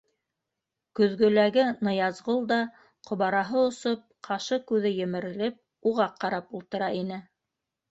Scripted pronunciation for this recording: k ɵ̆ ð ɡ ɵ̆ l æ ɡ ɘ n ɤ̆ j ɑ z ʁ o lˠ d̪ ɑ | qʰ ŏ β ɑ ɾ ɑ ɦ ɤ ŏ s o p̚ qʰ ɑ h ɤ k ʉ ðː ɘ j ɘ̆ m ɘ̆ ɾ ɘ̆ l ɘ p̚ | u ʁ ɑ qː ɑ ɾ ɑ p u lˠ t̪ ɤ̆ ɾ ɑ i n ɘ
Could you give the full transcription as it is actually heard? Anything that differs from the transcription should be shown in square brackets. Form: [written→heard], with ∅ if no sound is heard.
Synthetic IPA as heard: k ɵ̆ ð ɡ ɵ̆ l æ ɡ ɘ n ɤ̆ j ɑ z ʁ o lˠ d̪ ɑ | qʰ ŏ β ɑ ɾ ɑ ɦ ɤ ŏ s o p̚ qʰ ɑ [h→ʃ] ɤ k ʉ [ðː→ð] ɘ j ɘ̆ m ɘ̆ ɾ ɘ̆ l ɘ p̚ | u ʁ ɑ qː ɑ ɾ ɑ p u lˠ t̪ ɤ̆ ɾ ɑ i n ɘ